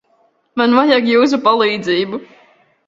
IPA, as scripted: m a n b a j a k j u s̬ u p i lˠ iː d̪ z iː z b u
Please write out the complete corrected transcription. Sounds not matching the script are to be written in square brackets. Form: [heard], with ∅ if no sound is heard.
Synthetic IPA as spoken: m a n [v] a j a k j [uː] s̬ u p [a] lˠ iː d̪ z iː [∅] b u